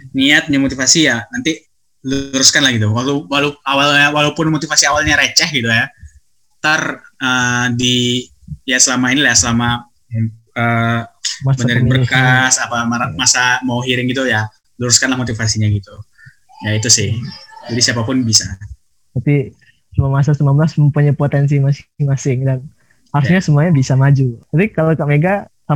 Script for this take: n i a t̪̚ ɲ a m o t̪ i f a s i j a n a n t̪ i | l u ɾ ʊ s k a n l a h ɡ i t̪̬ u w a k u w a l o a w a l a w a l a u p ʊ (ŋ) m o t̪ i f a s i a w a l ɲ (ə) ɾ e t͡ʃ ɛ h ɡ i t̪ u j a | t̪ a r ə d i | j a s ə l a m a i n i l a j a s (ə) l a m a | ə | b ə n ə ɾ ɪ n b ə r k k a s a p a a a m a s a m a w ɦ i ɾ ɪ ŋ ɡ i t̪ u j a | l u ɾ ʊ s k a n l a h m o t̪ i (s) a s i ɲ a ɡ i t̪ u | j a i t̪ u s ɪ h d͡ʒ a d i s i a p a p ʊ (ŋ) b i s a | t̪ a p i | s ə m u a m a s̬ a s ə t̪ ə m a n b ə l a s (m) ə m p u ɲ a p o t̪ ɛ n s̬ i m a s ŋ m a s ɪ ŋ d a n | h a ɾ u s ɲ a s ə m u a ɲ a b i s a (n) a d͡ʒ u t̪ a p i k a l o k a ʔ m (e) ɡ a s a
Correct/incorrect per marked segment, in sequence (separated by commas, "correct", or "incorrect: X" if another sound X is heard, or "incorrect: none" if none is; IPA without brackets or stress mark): incorrect: n, incorrect: a, correct, incorrect: f, incorrect: n, correct, incorrect: m, correct